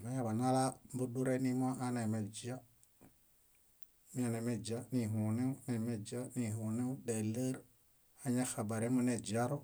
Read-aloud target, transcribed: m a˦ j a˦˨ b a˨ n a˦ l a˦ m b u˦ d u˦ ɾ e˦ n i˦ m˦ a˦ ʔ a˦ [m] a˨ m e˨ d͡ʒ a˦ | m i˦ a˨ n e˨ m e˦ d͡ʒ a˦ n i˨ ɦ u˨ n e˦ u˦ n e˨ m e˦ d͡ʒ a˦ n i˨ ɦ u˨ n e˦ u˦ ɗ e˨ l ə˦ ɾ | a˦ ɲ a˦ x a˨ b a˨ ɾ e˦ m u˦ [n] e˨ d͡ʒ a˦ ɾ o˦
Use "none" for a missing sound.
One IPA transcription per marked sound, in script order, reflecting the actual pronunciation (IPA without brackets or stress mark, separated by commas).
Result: n, n